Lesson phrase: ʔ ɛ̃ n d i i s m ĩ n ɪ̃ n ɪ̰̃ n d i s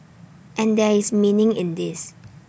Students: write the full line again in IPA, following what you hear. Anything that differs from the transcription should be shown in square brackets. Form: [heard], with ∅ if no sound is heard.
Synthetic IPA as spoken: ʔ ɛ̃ n d [ɛ] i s m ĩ n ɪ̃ [ŋ] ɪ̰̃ n d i s